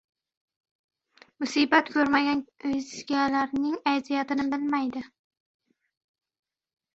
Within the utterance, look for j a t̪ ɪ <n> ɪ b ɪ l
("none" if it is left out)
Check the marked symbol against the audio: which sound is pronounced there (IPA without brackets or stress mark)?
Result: n